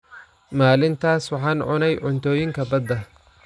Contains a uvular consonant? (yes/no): no